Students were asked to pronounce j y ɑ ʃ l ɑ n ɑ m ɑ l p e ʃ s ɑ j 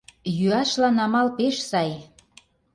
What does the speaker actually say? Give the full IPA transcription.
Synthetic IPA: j y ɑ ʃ l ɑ n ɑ m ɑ l p e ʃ s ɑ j